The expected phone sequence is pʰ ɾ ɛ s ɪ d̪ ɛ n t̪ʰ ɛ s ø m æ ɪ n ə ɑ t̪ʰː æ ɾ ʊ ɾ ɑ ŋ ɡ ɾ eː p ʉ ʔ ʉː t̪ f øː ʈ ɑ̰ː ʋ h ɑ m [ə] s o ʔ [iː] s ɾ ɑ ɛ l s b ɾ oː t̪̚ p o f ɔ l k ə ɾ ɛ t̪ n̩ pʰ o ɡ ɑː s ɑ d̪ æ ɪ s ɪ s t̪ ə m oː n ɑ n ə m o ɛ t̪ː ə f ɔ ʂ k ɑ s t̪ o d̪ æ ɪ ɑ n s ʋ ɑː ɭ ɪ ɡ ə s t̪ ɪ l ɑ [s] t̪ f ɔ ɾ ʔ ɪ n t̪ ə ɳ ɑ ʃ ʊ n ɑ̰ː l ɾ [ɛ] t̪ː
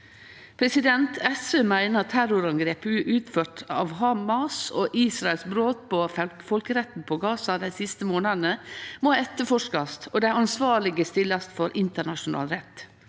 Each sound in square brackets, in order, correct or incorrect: incorrect, correct, correct, correct

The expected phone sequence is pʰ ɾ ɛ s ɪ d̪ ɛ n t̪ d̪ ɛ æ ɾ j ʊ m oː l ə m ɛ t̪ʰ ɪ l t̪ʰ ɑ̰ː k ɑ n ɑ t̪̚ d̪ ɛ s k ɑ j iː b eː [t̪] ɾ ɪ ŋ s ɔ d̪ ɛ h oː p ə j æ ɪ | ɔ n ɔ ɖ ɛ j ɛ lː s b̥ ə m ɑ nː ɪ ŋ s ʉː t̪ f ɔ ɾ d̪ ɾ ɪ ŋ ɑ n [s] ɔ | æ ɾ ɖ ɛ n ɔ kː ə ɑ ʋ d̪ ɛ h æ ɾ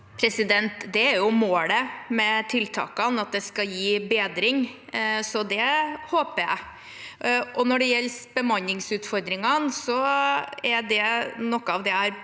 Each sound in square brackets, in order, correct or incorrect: incorrect, correct

